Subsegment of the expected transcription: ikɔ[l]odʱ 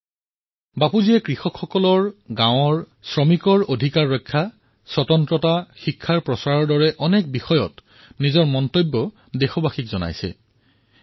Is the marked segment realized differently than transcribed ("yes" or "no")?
yes